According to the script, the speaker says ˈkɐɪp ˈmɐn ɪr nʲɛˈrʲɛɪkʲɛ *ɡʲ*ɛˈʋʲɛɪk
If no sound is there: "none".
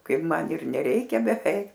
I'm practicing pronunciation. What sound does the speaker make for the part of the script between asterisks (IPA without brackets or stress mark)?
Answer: bʲ